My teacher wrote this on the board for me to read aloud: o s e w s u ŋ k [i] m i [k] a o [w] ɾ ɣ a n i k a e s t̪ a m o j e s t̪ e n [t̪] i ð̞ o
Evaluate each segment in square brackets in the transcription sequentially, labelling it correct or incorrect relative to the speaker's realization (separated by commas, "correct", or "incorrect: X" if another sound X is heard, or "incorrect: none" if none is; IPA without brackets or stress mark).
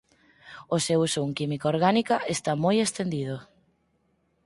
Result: correct, correct, incorrect: none, incorrect: d̪